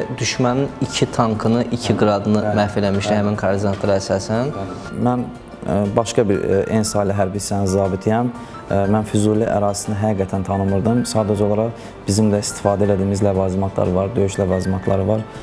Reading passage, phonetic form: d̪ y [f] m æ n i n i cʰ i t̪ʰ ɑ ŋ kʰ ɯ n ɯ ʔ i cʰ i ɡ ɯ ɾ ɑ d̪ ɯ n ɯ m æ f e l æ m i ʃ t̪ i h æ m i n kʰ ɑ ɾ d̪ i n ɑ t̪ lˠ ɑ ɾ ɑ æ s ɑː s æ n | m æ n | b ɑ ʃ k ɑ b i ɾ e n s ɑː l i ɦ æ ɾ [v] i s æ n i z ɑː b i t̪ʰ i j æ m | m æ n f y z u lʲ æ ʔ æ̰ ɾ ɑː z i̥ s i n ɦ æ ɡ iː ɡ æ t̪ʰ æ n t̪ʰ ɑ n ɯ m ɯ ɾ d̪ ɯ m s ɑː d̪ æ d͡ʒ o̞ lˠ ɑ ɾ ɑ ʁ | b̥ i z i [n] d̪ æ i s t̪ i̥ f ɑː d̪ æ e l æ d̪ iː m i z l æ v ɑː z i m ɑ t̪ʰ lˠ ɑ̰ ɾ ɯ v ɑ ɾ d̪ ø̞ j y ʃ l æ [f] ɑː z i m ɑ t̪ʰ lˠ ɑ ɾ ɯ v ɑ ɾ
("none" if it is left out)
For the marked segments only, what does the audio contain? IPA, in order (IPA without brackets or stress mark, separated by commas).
ʃ, b, m, v